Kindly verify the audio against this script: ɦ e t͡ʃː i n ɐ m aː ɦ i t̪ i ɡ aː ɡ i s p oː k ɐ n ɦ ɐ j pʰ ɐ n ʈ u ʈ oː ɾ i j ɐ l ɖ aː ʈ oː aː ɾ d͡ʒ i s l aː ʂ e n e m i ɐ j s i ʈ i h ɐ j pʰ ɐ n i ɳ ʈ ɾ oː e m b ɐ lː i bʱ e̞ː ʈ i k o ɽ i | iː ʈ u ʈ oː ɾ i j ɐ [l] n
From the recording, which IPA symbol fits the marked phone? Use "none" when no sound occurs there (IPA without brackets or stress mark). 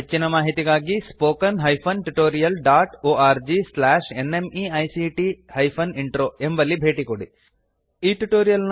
l